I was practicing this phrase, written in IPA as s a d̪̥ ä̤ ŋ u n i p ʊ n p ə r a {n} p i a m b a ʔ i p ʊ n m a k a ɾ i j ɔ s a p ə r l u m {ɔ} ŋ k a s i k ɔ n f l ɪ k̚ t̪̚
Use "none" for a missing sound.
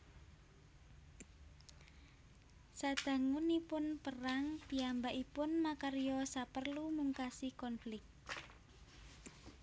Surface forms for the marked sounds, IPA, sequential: ŋ, u

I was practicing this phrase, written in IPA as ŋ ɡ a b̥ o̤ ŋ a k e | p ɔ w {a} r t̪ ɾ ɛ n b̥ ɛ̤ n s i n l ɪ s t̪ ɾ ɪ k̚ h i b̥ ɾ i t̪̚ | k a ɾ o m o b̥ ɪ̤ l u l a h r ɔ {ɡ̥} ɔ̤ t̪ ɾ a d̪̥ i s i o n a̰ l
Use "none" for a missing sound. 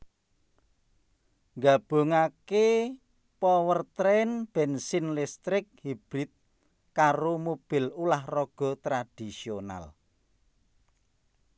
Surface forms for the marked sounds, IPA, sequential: ə, ɡ̥

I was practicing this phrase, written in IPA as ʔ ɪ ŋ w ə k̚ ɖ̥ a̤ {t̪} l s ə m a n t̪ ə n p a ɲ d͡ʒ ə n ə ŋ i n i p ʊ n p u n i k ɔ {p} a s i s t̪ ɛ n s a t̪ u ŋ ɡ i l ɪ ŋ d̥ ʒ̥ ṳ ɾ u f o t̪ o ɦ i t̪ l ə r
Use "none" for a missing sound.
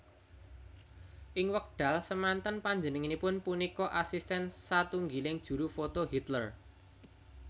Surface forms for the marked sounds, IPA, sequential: none, ʔ

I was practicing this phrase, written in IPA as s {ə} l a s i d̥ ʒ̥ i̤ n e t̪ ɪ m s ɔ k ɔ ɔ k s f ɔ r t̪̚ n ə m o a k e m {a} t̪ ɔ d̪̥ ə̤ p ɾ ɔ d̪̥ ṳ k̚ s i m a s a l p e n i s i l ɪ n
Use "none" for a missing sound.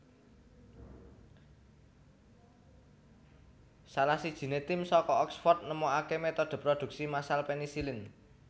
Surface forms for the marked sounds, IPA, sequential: a, e

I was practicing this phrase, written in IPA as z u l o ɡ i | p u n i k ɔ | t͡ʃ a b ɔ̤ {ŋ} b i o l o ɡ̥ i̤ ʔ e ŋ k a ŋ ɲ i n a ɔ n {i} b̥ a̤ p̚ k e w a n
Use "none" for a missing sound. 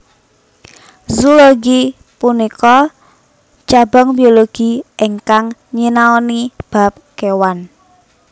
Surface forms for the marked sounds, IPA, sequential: ŋ, i

